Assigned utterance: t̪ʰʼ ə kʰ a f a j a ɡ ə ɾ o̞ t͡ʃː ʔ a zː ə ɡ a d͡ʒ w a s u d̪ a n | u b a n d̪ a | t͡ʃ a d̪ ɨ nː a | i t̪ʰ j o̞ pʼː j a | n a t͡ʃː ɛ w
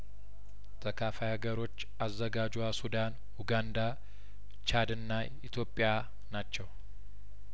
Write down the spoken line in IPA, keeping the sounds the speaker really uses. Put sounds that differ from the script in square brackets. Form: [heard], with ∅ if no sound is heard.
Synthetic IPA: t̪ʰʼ ə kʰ a f a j a ɡ ə ɾ o̞ t͡ʃː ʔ a zː ə ɡ a d͡ʒ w a s u d̪ a n | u [ɡ] a n d̪ a | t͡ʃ a d̪ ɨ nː a | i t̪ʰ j o̞ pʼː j a | n a t͡ʃː ɛ w